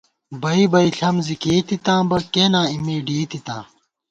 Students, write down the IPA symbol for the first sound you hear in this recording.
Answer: b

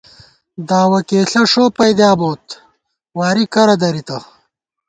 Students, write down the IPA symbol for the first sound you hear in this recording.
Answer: d̪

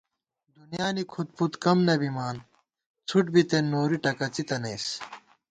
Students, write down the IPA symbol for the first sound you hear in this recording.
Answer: d̪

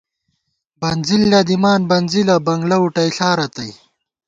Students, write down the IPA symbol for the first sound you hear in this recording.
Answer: b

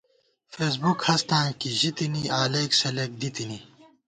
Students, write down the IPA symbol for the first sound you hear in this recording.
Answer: f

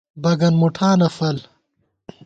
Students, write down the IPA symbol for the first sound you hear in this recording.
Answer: b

